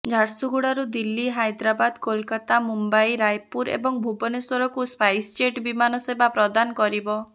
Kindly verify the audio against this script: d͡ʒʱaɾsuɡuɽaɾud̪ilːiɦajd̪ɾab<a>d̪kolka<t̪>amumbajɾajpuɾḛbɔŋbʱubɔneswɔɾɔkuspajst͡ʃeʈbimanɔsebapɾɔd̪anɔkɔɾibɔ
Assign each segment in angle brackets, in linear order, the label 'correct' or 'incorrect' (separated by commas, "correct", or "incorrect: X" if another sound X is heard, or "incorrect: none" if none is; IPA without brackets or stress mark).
correct, correct